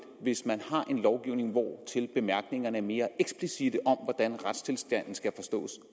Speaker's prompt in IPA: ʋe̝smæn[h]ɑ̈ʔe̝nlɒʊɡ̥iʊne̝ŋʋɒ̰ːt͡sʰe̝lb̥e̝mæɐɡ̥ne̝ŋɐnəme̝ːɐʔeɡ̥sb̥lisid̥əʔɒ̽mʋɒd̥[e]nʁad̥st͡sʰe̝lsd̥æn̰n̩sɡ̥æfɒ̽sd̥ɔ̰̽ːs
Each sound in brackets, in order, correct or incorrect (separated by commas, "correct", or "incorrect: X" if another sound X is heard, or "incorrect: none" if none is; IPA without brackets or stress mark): correct, incorrect: æ